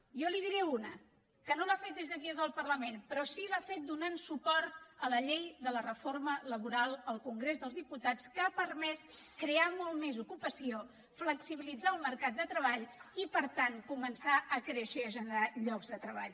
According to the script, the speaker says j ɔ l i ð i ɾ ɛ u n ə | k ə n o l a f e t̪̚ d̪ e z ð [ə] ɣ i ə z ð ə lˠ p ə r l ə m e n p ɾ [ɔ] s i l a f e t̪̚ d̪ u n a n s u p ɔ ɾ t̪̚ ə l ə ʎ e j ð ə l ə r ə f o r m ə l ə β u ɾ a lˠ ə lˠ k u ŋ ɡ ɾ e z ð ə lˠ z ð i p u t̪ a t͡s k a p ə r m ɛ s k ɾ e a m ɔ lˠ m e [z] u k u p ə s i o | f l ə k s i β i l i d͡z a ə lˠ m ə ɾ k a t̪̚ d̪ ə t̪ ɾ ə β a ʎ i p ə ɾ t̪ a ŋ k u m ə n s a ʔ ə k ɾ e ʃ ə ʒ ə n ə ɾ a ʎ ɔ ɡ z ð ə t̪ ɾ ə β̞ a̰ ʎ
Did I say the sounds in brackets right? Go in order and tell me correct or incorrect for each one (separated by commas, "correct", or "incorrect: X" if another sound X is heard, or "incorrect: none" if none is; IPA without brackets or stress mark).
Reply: correct, correct, correct